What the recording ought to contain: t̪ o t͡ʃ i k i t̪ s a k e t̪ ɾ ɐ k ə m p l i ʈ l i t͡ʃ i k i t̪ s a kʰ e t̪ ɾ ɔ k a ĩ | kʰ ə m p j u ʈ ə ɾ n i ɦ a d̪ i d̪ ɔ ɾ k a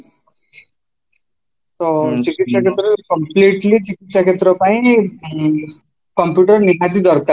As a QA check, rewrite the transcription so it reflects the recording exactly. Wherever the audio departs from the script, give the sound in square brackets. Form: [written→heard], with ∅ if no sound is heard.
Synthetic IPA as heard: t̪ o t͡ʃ i k i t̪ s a k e t̪ ɾ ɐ k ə m p l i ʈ l i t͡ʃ i k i t̪ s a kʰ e t̪ ɾ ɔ [k→p] a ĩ | [kʰ→k] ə m p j u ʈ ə ɾ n i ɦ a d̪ i d̪ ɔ ɾ k a